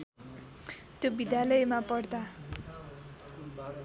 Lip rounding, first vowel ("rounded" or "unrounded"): rounded